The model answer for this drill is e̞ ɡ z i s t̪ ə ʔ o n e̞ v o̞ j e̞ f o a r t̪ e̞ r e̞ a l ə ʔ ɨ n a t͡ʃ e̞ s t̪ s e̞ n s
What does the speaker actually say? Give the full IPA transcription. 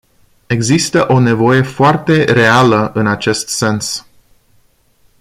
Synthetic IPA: e̞ ɡ z i s t̪ ə ʔ o n e̞ v o̞ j e̞ f o a r t̪ e̞ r e̞ a l ə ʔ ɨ n a t͡ʃ e̞ s t̪ s e̞ n s